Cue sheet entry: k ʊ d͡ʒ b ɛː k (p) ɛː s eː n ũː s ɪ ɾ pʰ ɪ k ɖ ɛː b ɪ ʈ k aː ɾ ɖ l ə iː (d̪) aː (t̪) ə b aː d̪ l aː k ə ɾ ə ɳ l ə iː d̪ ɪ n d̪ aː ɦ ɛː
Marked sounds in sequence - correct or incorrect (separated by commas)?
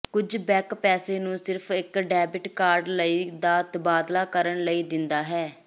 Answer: correct, correct, correct